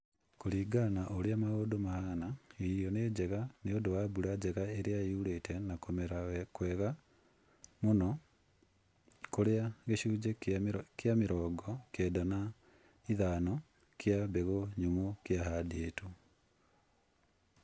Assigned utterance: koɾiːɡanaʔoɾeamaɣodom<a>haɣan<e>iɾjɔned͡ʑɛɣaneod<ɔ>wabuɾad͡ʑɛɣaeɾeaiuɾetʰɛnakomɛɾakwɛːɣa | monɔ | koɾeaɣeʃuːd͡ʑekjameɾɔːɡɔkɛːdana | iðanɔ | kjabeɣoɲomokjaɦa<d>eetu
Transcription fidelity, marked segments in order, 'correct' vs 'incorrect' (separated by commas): correct, incorrect, incorrect, correct